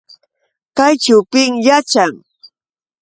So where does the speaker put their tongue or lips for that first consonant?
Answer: velum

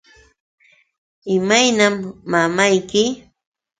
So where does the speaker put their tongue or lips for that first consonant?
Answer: lips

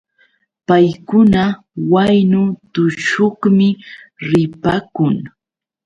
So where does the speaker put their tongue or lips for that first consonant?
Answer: lips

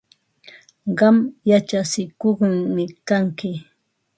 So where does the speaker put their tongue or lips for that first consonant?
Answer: uvula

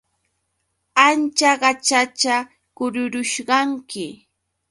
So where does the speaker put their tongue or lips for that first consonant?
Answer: tongue tip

